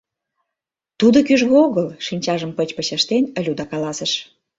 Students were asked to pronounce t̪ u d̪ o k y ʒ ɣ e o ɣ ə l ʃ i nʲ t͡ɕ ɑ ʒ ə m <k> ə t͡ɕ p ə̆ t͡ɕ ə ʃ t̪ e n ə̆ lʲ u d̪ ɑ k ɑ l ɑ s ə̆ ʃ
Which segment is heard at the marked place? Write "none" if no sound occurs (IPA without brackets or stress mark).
p